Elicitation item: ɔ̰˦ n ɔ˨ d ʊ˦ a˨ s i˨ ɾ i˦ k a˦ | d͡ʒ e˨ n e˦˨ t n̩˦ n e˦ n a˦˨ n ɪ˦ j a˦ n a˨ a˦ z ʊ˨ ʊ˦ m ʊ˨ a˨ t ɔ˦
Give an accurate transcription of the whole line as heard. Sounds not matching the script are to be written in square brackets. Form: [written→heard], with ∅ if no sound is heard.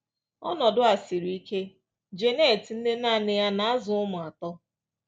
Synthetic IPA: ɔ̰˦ n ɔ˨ d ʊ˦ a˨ s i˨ ɾ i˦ k [a˦→e˦] | d͡ʒ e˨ n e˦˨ t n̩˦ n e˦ n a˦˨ n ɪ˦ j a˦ n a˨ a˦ z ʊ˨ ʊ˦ m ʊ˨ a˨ t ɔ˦